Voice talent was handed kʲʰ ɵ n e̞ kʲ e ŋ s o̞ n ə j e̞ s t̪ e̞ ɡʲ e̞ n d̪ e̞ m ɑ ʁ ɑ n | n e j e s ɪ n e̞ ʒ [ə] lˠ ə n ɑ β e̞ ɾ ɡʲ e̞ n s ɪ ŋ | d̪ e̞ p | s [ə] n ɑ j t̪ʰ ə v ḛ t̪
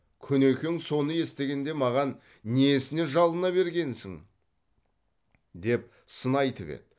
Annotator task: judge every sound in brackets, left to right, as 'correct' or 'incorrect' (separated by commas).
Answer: incorrect, correct